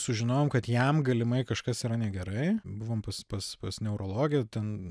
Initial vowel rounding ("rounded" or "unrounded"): rounded